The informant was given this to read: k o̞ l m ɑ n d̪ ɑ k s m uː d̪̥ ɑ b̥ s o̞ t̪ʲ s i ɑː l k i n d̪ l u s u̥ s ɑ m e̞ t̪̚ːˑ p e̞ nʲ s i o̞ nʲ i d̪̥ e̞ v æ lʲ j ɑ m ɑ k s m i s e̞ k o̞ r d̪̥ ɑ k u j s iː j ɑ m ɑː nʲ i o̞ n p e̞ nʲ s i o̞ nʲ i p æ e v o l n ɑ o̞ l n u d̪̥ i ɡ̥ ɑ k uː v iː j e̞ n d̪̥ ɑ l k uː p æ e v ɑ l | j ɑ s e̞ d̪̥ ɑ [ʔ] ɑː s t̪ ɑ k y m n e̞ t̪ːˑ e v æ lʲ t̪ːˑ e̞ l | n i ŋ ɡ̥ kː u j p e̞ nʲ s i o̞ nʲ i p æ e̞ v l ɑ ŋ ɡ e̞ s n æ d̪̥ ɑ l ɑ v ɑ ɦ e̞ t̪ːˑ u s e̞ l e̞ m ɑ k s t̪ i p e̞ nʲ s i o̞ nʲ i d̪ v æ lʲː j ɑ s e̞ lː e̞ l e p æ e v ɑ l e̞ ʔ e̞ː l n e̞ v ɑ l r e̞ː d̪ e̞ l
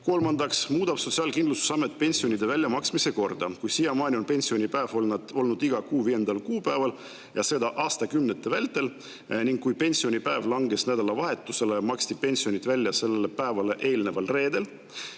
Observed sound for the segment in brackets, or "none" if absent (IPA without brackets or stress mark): ʔ